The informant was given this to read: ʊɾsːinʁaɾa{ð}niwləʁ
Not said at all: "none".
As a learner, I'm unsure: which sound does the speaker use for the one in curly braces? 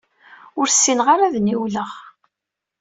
ð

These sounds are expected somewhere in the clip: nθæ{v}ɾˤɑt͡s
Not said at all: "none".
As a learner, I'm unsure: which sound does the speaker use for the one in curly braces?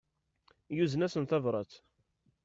v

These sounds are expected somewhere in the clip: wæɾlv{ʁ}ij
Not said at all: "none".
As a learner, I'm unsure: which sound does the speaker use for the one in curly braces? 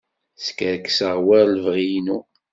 ʁ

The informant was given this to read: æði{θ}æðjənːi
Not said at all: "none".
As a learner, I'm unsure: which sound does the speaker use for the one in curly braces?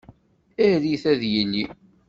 θ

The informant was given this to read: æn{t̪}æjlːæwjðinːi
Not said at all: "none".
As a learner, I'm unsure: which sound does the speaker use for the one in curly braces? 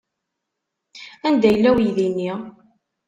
d̪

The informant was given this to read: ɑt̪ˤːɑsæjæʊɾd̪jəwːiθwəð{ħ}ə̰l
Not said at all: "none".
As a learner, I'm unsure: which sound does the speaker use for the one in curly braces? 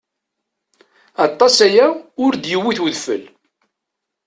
f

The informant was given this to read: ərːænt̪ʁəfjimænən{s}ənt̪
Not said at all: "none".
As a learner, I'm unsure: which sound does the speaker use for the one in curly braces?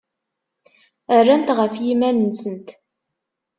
s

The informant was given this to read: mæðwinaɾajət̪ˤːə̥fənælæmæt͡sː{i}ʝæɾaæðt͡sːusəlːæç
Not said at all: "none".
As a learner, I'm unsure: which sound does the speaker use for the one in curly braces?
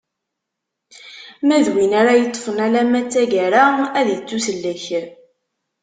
æ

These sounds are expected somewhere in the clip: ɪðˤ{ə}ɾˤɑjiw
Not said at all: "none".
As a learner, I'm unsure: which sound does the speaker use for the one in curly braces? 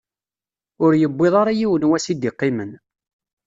ɑ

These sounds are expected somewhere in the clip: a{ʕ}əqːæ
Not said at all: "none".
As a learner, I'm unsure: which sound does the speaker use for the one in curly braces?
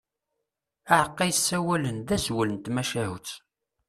ʕ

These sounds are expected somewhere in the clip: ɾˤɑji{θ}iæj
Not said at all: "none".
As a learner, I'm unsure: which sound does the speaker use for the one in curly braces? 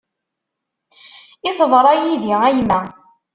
ð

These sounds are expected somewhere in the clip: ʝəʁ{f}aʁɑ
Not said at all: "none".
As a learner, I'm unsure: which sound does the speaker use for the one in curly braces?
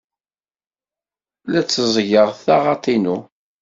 θ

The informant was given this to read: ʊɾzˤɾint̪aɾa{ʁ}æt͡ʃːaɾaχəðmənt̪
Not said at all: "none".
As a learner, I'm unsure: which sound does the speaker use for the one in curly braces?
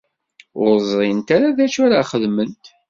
ð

